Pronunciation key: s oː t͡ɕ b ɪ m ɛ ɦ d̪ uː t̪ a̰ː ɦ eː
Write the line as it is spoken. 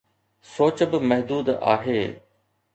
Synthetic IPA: s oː t͡ɕ b ɪ m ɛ ɦ d̪ uː d̪ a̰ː ɦ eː